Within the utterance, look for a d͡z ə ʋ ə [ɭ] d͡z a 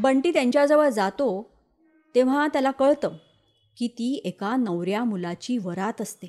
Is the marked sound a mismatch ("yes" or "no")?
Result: yes